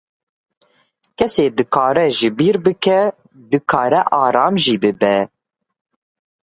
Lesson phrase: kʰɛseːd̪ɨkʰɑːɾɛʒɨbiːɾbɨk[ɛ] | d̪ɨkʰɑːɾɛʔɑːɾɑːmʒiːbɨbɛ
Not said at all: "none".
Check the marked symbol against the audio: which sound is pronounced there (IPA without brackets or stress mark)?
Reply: ɛ